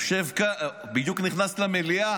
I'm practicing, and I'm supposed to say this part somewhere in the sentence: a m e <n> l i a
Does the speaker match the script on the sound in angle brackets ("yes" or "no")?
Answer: no